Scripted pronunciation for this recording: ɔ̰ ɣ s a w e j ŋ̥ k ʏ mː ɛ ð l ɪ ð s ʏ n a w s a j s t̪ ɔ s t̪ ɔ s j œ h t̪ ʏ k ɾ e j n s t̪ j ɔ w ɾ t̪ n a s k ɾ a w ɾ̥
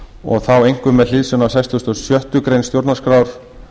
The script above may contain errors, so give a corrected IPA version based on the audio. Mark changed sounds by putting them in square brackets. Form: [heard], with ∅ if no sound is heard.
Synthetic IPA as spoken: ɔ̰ ɣ [θ] a w e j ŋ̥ k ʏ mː ɛ ð l ɪ ð s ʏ n a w s a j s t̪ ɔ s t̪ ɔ s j œ h t̪ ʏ k ɾ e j n s t̪ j [o] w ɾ t̪ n a s k ɾ a w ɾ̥